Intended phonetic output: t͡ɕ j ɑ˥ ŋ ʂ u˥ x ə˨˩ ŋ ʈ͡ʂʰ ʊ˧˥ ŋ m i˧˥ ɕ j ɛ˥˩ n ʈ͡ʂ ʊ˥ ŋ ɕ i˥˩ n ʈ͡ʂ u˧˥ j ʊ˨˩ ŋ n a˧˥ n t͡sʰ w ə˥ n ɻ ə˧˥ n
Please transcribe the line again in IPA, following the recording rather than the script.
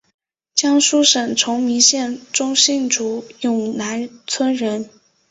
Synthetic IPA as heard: t͡ɕ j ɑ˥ ŋ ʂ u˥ ʂ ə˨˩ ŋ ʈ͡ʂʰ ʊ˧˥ ŋ m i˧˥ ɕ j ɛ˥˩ n ʈ͡ʂ ʊ˥ ŋ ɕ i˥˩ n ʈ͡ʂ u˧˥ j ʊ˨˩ ŋ n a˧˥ n t͡sʰ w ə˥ n ɻ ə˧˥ n

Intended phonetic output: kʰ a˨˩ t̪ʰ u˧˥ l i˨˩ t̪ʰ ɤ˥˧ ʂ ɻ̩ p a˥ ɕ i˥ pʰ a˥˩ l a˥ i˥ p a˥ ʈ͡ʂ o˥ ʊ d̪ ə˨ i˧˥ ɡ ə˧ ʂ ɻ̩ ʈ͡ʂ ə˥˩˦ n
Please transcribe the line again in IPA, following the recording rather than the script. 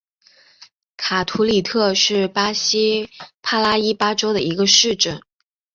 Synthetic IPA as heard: kʰ a˨˩ t̪ʰ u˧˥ l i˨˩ t̪ʰ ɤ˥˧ ʂ ɻ̩ p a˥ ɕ i˥ pʰ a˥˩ l a˥ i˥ p a˥ ʈ͡ʂ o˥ ʊ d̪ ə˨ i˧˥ ɡ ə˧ ʂ ɻ̩ ʈ͡ʂ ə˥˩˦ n

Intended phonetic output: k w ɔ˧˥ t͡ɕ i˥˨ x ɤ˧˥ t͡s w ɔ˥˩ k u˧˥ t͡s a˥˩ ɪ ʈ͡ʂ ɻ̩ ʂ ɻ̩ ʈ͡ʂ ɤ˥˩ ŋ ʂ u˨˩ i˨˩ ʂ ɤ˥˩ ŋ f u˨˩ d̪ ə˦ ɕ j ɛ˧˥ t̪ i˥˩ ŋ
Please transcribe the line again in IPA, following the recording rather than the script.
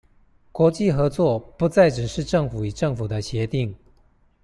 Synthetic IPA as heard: k w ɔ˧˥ t͡ɕ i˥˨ x ɤ˧˥ t͡s w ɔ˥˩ p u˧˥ t͡s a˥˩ ɪ ʈ͡ʂ ɻ̩ ʂ ɻ̩ ʈ͡ʂ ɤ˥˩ ŋ f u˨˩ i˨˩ ʈ͡ʂ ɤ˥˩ ŋ f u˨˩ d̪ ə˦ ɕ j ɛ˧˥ t̪ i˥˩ ŋ

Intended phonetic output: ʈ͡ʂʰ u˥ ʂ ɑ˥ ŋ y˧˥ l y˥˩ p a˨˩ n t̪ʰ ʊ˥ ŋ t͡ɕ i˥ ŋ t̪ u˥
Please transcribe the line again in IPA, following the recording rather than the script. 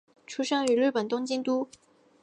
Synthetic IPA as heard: ʈ͡ʂʰ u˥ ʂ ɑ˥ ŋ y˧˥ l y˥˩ p ə˨˩ n t̪ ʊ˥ ŋ t͡ɕ i˥ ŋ t̪ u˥

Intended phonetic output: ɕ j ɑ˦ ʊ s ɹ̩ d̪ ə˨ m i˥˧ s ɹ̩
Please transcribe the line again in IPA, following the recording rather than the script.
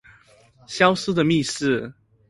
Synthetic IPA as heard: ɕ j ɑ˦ ʊ s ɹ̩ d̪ ə˨ m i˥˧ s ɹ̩

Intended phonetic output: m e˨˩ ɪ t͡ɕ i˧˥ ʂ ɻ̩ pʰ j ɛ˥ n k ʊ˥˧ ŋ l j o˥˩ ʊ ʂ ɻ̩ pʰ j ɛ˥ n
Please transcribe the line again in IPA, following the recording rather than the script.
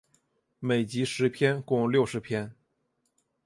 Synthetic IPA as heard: m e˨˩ ɪ t͡ɕ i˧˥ ʂ ɻ̩ pʰ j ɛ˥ n k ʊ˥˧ ŋ l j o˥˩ ʊ ʂ ɻ̩ pʰ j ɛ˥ n

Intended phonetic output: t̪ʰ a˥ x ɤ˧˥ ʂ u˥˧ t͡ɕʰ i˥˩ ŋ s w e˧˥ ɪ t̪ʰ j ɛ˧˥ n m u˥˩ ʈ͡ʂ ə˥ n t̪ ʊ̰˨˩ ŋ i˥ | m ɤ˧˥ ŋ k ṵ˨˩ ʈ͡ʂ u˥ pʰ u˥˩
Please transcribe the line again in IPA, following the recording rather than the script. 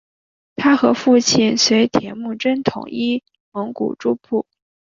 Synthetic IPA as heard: t̪ʰ a˥ x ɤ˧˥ f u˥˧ t͡ɕʰ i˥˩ n s w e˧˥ ɪ t̪ʰ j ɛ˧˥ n m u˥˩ ʈ͡ʂ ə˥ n t̪ʰ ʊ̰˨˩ ŋ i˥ | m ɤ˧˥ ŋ k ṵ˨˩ ʈ͡ʂ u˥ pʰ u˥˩

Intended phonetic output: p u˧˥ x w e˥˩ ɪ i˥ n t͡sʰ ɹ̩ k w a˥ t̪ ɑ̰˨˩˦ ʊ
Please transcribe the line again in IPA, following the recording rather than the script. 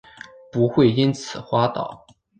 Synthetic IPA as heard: p u˧˥ x w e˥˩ ɪ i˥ n t͡sʰ ɹ̩ x w a˥ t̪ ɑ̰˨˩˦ ʊ

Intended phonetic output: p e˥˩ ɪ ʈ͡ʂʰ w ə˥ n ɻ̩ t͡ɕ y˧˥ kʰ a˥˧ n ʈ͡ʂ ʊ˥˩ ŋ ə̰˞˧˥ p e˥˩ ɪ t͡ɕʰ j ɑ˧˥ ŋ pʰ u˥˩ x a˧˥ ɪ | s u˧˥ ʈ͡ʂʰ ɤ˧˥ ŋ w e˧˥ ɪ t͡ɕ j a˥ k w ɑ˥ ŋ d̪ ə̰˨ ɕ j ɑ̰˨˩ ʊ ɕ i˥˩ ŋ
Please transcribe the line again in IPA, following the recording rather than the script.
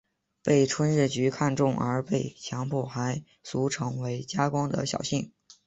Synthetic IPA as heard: p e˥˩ ɪ ʈ͡ʂʰ w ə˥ n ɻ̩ t͡ɕ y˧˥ kʰ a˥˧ n ʈ͡ʂ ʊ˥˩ ŋ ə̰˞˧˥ p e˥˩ ɪ t͡ɕʰ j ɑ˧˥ ŋ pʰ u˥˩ x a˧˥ ɪ | s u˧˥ ʈ͡ʂʰ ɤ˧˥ ŋ w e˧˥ ɪ t͡ɕ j a˥ k w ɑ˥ ŋ d̪ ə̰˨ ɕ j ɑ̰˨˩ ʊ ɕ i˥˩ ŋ

